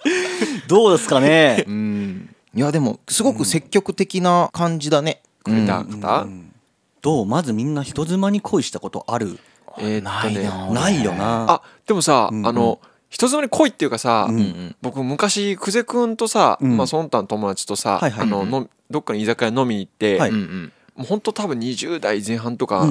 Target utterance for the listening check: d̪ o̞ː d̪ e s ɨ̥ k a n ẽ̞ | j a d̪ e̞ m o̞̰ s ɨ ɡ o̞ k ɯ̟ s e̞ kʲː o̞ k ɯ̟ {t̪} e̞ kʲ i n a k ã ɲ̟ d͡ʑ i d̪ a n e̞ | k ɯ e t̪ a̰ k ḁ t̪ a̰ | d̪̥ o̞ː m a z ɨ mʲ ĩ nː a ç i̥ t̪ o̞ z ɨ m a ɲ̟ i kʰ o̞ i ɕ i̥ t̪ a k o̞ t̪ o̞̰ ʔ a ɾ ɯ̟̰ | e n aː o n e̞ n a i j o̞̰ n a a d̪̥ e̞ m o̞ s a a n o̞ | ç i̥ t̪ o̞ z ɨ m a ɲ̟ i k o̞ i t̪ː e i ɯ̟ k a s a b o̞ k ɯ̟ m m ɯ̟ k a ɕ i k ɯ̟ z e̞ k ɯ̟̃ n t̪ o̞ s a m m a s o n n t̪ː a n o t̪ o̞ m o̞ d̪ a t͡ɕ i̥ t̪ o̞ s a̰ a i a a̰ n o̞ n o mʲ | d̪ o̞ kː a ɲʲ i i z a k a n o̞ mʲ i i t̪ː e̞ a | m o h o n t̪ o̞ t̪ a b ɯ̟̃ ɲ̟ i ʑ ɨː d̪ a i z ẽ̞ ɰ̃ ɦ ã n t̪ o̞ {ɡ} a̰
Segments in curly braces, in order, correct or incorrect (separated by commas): correct, incorrect